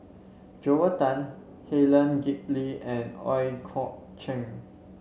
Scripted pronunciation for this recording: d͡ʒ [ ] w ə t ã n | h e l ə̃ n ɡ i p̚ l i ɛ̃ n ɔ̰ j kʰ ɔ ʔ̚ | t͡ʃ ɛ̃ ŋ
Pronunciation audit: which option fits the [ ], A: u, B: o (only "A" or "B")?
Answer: B